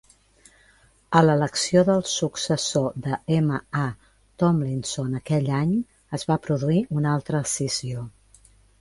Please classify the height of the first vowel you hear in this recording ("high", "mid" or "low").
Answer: mid